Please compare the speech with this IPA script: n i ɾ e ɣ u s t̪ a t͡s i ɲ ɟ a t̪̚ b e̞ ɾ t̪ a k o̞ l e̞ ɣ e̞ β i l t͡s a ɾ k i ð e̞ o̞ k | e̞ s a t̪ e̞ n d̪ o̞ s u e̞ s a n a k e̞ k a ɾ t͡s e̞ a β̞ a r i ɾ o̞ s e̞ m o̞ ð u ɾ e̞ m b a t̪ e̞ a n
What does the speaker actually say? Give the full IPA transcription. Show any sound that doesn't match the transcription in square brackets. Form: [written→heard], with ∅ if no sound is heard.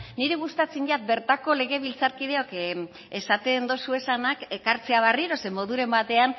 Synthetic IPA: n i ɾ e ɣ u s t̪ a t͡s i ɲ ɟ a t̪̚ b e̞ ɾ t̪ a k o̞ l e̞ ɣ e̞ β i l t͡s a ɾ k i ð e̞ o̞ k | e̞ s a t̪ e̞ n d̪ o̞ s u e̞ s a n a k e̞ k a ɾ t͡s e̞ a β̞ a r i ɾ o̞ s e̞ m o̞ ð u ɾ e̞ m b a t̪ e̞ a n

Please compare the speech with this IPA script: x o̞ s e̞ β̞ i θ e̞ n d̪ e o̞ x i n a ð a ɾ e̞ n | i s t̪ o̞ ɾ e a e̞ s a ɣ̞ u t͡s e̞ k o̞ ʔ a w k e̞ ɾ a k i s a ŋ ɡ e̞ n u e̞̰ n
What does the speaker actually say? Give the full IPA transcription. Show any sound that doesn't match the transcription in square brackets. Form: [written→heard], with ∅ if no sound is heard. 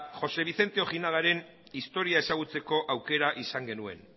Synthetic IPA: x o̞ s e̞ β̞ i θ e̞ n [d̪→t̪] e o̞ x i n a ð a ɾ e̞ n | i s t̪ o̞ ɾ [e→i] a e̞ s a ɣ̞ u t͡s e̞ k o̞ ʔ a w k e̞ ɾ a [k→ʔ] i s a ŋ ɡ e̞ n u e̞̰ n

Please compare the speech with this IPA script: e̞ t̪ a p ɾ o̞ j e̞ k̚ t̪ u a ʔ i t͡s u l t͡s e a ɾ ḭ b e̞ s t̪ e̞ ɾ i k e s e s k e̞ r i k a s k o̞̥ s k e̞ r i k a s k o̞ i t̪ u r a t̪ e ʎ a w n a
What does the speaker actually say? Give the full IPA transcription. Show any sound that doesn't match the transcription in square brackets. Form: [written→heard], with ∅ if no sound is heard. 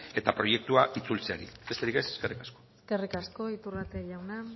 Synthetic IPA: e̞ t̪ a p ɾ o̞ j e̞ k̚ t̪ u a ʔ i t͡s u l t͡s e a ɾ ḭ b e̞ s t̪ e̞ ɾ i k e s e s k e̞ r i k a s k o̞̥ s k e̞ r i k a s k o̞ i t̪ u r a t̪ e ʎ a w n a

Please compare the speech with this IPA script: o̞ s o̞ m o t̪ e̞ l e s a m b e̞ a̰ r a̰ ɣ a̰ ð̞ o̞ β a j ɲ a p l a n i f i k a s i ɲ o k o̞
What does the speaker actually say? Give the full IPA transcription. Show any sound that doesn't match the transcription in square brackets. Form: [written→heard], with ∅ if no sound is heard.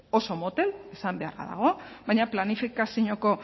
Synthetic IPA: o̞ s o̞ m o t̪ e̞ l e s a m b e̞ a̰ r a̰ [ɣ→ð] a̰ [ð̞→ɣ̞] o̞ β a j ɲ a p l a n i f i k a s i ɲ o k o̞

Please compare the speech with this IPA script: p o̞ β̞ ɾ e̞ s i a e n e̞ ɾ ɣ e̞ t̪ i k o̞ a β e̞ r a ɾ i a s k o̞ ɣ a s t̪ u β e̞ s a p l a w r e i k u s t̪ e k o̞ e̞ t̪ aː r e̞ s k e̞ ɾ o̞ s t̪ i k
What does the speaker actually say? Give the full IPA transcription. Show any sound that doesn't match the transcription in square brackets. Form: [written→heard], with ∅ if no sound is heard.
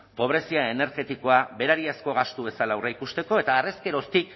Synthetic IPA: p o̞ β̞ ɾ e̞ s i a e n e̞ ɾ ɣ e̞ t̪ i k o̞ a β e̞ [r→ɾ] a ɾ i a s k o̞ ɣ a s t̪ u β e̞ s a [p→∅] l a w r e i k u s t̪ e k o̞ e̞ t̪ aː r e̞ s k e̞ ɾ o̞ s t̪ i k

